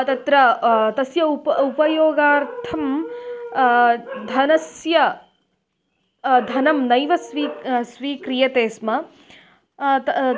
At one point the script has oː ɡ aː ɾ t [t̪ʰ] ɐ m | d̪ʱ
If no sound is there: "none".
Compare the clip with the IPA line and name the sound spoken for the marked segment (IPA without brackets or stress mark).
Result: t̪ʰ